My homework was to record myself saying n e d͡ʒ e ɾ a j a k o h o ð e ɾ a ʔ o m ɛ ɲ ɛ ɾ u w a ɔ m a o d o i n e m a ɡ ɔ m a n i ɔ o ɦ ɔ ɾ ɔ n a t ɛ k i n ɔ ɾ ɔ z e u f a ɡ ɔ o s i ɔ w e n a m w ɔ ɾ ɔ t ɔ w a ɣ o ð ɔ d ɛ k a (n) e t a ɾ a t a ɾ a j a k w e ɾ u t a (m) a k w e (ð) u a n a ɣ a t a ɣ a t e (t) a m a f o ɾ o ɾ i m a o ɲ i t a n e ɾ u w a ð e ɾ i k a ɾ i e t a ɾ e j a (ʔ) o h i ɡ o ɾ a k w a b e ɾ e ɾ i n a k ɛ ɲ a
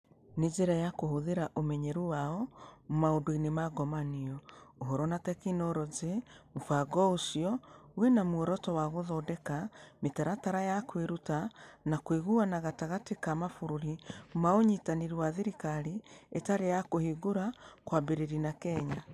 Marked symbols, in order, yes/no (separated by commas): no, no, no, no, no